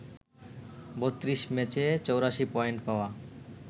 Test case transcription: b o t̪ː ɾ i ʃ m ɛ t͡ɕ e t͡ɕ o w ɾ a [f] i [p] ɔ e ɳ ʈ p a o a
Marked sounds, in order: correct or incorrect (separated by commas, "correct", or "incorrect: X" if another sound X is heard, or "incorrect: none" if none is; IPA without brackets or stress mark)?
incorrect: ʃ, correct